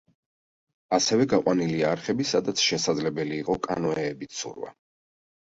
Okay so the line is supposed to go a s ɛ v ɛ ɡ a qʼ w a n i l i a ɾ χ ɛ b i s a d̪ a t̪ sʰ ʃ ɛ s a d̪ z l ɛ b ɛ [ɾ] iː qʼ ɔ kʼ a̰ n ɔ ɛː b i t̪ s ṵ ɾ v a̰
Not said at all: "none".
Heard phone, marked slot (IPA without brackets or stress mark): l